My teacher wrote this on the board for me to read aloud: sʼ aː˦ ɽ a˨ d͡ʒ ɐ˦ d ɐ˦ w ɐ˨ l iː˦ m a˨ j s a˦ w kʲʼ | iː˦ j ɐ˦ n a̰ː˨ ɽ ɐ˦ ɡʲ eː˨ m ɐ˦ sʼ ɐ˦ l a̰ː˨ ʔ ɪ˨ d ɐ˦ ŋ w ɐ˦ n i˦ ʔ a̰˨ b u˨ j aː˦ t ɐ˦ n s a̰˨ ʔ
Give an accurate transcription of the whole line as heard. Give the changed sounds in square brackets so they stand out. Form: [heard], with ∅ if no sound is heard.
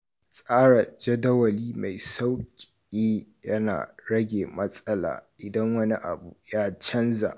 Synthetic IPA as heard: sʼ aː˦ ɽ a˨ d͡ʒ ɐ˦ d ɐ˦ w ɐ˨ l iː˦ m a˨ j s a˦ w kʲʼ | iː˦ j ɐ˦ n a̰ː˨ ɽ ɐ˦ ɡʲ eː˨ m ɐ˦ sʼ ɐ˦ l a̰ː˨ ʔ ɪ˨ d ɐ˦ ŋ w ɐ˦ n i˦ ʔ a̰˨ b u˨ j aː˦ [t͡ʃ] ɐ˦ n [z] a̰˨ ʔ